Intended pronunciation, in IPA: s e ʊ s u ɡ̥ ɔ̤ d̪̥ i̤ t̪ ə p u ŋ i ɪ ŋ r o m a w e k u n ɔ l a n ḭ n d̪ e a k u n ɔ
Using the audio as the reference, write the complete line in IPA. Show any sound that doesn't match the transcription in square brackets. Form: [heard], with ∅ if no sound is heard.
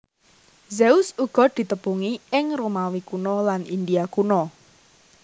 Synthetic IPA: [z] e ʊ s u ɡ̥ ɔ̤ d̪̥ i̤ t̪ ə p u ŋ i ɪ ŋ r o m a w [i] k u n ɔ l a n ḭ n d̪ [i] a k u n ɔ